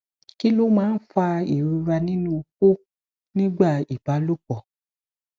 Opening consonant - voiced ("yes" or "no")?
no